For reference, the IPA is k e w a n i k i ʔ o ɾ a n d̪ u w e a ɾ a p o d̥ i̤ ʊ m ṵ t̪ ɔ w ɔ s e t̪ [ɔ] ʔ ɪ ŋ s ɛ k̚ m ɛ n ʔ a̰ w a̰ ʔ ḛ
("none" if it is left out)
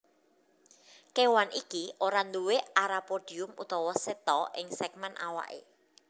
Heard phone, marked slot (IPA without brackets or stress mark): ɔ